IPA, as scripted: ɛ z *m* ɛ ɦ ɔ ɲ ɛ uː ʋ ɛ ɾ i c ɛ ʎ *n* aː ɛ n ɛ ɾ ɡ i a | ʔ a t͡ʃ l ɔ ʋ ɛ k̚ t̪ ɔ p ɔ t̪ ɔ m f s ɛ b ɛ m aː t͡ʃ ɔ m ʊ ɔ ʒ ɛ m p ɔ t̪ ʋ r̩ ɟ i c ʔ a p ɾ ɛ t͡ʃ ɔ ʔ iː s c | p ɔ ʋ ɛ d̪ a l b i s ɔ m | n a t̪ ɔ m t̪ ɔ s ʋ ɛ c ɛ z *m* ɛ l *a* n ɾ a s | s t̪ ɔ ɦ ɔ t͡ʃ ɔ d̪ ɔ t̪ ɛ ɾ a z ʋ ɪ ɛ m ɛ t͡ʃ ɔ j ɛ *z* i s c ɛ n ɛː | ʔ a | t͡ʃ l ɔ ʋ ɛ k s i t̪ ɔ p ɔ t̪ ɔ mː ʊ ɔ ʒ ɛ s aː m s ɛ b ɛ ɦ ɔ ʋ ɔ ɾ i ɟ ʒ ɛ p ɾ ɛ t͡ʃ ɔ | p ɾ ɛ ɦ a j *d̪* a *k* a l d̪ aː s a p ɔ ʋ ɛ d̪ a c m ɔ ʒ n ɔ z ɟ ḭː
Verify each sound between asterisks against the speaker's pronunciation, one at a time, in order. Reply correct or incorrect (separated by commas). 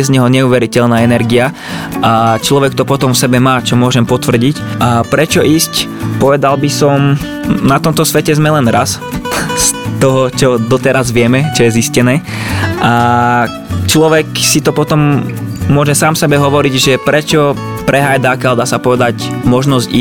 incorrect, correct, correct, incorrect, correct, correct, correct